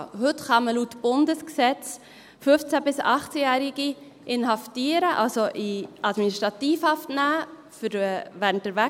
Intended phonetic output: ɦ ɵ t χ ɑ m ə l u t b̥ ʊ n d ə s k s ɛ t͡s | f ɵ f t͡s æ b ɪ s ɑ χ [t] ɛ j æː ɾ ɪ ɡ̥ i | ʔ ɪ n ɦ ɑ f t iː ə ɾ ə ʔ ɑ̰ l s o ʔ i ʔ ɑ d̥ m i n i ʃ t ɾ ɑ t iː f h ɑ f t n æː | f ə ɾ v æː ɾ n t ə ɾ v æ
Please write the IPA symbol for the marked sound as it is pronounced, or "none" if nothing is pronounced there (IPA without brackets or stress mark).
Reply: t͡s